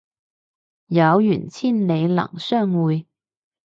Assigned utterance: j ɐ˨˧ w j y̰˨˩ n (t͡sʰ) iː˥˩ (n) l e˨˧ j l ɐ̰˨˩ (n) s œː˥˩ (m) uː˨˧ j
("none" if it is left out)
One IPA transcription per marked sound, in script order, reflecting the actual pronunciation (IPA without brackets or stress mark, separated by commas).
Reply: t͡sʰ, n, ŋ, ŋ